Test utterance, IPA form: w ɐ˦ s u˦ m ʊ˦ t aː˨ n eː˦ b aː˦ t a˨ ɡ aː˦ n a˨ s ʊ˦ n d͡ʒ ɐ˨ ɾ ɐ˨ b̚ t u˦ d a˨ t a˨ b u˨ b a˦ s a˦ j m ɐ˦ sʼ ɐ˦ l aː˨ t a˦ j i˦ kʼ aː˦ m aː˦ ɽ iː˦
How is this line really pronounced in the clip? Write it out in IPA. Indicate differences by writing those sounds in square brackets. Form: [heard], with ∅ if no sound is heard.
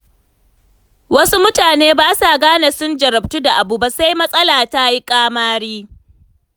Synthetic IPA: w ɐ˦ s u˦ m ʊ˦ t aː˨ n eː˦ b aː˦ [s] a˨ ɡ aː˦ n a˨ s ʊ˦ n d͡ʒ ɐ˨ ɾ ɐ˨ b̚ t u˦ d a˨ [ʔ] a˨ b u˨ b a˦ s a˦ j m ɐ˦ sʼ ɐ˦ l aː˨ t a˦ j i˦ kʼ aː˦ m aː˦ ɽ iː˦